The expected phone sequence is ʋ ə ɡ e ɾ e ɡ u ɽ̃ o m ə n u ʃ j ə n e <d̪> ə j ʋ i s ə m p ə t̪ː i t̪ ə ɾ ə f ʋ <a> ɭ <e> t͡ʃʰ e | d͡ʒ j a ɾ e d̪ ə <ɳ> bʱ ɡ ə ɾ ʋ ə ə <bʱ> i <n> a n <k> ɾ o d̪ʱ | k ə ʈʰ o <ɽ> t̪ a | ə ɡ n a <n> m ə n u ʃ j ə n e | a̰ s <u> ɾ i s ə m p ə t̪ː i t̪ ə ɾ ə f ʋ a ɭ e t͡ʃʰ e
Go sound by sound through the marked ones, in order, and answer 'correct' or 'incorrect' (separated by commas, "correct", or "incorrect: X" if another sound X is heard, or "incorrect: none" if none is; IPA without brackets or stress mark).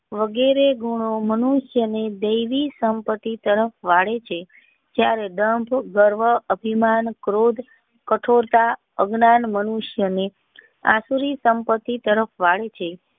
correct, correct, correct, incorrect: m, correct, incorrect: m, correct, incorrect: ɾ, correct, correct